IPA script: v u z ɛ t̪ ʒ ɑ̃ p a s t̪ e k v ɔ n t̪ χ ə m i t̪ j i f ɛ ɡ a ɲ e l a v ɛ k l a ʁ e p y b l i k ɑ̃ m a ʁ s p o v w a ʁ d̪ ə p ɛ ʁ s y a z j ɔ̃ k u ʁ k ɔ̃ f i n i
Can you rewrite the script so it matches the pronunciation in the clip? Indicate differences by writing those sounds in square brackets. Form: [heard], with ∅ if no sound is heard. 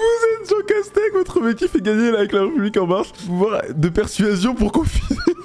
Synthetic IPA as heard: v u z ɛ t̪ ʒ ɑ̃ [k] a s t̪ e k v ɔ [∅] t̪ χ ə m [e] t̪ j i f ɛ ɡ a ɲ e l a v ɛ k l a ʁ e p y b l i k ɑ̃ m a ʁ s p [u] v w a ʁ d̪ ə p ɛ ʁ s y a z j ɔ̃ [p] u ʁ k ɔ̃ f i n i

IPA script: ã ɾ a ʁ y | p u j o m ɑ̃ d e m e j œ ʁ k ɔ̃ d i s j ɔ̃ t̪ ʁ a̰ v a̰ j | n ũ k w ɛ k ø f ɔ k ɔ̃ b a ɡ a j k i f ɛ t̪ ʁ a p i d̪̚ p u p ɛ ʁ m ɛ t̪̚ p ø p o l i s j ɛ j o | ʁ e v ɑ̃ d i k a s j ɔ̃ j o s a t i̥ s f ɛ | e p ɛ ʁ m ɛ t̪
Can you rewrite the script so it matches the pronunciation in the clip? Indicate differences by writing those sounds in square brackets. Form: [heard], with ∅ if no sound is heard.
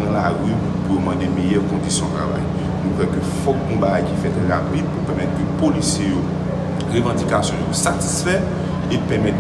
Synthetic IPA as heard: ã [l] a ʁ y | p u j o m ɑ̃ d e m e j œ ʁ k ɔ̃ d i s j ɔ̃ t̪ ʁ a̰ v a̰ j | n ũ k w ɛ k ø f ɔ k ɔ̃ b a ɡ a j k i f ɛ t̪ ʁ a p i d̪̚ p u p ɛ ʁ m ɛ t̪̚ [k] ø p o l i s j [e] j o | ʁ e v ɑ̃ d i k a s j ɔ̃ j o s a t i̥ s f ɛ | e p ɛ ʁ m ɛ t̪

